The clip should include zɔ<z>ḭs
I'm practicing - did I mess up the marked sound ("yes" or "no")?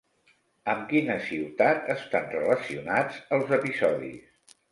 yes